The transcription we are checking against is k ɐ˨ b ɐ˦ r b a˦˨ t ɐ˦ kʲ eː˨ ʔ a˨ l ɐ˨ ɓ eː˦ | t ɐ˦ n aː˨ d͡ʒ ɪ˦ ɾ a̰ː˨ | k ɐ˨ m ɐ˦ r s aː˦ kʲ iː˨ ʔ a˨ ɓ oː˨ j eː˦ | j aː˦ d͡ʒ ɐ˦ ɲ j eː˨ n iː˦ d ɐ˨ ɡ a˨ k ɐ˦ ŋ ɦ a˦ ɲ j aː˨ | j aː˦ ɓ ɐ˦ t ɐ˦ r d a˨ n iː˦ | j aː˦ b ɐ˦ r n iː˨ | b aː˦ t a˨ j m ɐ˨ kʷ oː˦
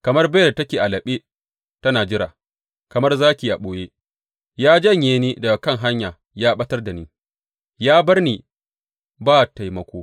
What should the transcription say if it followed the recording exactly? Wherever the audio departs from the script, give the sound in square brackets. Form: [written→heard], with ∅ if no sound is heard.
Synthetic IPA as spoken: k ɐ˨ [b→m] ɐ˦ r b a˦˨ t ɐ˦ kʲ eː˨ ʔ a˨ l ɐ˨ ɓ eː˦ | t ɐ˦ n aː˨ d͡ʒ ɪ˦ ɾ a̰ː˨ | k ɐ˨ m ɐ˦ r [s→z] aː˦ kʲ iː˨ ʔ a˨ ɓ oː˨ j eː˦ | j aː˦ d͡ʒ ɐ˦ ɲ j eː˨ n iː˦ d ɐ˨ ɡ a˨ k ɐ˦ ŋ ɦ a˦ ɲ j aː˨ | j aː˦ ɓ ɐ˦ t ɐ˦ r d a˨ n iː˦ | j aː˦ b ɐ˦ r n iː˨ | b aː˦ t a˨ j m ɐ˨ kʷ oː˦